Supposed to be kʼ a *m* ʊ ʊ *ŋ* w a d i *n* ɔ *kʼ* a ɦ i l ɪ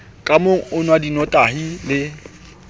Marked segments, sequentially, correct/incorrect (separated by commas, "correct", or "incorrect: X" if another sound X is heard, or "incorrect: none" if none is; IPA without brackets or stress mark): correct, incorrect: n, correct, incorrect: tʼ